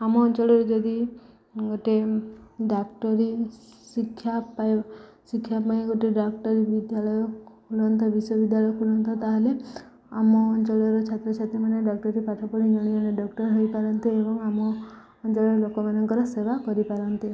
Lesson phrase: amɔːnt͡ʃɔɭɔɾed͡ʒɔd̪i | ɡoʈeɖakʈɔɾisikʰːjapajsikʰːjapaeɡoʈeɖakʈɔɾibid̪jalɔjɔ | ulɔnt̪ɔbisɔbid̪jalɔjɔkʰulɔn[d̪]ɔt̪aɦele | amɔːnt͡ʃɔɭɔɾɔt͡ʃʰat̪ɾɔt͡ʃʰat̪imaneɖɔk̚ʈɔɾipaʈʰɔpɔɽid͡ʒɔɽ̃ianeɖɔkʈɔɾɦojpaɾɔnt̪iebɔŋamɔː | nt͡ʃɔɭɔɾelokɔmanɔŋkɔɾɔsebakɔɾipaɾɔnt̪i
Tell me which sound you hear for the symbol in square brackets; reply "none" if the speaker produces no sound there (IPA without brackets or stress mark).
t̪